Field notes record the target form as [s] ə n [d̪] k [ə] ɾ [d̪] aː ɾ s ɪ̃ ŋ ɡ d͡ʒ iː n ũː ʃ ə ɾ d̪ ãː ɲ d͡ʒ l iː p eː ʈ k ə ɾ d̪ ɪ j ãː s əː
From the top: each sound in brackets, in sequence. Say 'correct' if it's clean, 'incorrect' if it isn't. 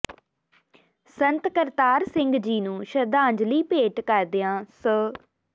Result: correct, incorrect: t̪, correct, incorrect: t̪

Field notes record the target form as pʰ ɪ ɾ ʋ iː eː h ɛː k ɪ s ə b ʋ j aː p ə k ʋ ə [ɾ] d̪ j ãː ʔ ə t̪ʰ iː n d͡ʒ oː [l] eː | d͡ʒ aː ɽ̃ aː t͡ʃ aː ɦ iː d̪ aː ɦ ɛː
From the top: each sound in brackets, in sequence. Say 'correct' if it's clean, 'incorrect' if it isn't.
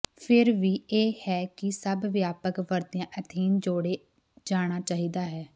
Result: correct, incorrect: ɽ

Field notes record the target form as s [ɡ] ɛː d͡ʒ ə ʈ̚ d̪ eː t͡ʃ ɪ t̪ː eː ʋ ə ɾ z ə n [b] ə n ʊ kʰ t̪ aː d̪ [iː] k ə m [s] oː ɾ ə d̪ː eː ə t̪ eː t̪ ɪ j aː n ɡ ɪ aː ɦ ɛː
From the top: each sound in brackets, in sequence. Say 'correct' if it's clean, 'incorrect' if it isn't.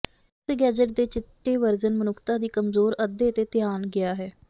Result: correct, incorrect: m, correct, incorrect: z

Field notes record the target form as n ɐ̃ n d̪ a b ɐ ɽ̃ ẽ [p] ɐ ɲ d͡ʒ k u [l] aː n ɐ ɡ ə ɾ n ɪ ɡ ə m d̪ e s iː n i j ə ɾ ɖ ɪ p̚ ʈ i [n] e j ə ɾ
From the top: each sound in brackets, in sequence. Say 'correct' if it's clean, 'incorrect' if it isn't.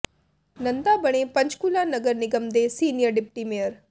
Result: correct, correct, incorrect: m

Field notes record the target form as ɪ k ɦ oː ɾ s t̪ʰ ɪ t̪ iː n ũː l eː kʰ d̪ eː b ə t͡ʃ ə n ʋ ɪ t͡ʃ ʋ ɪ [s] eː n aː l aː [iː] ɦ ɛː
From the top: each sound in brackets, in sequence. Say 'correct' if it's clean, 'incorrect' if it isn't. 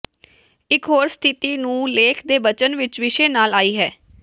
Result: incorrect: ʃ, correct

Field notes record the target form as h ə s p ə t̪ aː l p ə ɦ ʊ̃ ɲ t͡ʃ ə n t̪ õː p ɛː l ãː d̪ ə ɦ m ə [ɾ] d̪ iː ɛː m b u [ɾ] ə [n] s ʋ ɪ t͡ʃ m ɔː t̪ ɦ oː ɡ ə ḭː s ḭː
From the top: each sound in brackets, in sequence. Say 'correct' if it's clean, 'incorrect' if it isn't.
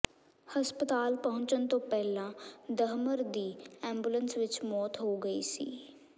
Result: correct, incorrect: l, correct

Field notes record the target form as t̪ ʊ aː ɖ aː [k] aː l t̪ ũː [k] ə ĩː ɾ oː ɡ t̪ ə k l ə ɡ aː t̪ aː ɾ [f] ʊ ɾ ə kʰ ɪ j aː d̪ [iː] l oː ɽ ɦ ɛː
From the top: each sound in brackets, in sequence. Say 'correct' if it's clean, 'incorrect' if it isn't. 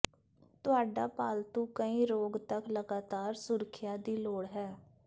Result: incorrect: p, correct, incorrect: s, correct

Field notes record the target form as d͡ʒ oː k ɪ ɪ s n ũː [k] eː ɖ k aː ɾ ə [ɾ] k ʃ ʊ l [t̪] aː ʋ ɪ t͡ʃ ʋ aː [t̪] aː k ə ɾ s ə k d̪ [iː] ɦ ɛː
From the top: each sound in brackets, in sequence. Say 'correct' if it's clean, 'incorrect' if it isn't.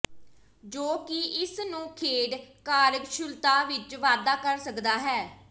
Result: incorrect: kʰ, incorrect: none, correct, incorrect: d̪, incorrect: aː

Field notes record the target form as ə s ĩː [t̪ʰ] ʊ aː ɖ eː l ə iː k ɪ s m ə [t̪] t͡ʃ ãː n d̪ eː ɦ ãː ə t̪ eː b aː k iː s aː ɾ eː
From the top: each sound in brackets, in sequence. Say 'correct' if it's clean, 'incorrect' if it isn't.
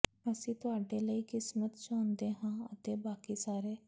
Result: incorrect: t̪, correct

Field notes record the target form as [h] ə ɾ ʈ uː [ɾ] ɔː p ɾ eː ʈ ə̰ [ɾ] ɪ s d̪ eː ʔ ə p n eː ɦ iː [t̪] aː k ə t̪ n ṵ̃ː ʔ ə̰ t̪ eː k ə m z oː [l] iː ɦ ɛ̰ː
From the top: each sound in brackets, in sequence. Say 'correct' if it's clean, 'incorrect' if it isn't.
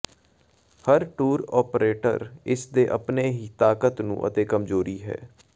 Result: correct, correct, correct, correct, incorrect: ɾ

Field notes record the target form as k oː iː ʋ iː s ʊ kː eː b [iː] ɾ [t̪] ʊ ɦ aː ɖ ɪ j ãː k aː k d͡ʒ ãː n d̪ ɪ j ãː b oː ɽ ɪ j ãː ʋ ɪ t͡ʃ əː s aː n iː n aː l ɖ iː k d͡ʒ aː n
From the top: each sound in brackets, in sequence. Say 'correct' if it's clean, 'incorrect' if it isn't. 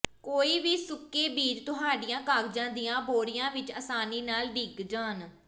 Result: correct, correct

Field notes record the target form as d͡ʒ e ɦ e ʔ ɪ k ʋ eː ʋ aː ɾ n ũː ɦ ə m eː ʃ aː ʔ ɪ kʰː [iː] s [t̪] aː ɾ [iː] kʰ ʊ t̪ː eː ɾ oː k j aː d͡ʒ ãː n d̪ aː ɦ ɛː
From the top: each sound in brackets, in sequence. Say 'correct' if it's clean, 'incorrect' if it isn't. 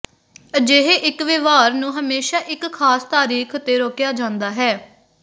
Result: incorrect: aː, correct, correct

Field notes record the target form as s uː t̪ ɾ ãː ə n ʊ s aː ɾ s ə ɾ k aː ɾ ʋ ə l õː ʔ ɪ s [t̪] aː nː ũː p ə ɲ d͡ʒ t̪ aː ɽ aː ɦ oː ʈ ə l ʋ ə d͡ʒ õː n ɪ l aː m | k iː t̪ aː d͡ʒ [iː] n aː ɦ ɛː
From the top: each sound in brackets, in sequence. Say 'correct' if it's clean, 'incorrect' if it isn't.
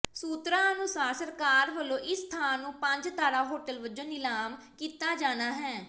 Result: incorrect: t̪ʰ, incorrect: aː

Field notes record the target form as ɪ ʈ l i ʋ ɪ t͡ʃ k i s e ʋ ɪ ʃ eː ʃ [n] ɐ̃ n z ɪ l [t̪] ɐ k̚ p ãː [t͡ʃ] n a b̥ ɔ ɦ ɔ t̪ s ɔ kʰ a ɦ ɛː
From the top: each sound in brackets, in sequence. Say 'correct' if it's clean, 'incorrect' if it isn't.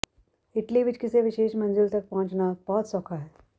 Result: incorrect: m, correct, correct

